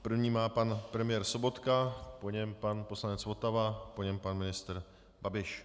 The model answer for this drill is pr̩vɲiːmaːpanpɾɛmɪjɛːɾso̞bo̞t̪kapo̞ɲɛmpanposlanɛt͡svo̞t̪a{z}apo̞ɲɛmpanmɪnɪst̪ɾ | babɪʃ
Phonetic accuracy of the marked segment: incorrect: v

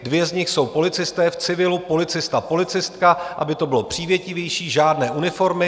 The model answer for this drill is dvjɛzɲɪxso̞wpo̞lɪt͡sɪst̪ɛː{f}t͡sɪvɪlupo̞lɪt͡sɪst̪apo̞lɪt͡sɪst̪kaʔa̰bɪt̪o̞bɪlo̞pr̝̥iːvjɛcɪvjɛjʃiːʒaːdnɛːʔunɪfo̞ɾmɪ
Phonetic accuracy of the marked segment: correct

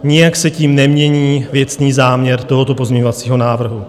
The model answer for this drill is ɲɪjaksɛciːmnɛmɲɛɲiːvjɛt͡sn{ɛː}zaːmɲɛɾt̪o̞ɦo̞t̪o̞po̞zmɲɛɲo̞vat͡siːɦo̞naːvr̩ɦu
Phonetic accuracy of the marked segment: incorrect: iː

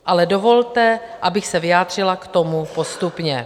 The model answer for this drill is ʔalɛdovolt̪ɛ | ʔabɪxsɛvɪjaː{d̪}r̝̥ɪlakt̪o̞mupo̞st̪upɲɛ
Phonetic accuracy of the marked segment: correct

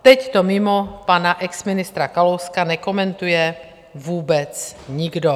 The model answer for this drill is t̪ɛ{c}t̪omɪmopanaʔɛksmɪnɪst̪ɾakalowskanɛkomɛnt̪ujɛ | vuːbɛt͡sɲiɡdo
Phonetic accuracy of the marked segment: correct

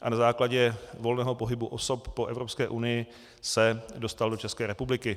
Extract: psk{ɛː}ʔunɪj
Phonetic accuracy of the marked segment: correct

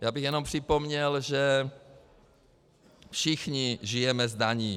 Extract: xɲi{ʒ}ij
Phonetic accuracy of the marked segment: correct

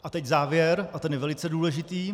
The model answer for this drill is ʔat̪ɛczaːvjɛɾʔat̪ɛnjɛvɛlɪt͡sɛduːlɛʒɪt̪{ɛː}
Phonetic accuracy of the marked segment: incorrect: iː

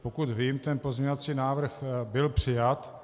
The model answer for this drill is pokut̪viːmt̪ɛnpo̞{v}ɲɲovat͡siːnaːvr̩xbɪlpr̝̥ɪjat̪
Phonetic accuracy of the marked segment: incorrect: z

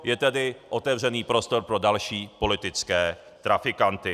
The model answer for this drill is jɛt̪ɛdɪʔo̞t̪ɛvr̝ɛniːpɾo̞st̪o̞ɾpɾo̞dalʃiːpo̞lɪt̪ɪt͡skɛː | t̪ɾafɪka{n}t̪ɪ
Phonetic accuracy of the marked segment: correct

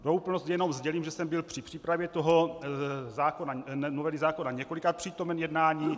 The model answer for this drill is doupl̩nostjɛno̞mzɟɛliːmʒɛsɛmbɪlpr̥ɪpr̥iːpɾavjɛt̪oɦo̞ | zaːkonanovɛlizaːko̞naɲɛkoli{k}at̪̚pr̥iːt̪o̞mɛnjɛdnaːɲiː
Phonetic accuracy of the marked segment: correct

